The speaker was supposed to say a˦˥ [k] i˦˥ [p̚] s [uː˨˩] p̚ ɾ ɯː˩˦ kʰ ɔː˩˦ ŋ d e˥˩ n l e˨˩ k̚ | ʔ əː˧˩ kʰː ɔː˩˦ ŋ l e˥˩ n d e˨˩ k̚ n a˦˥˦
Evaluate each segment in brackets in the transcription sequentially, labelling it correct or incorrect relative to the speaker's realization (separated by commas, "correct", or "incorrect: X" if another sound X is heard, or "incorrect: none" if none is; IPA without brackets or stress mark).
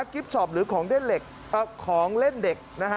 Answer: correct, correct, incorrect: ɔː˨˩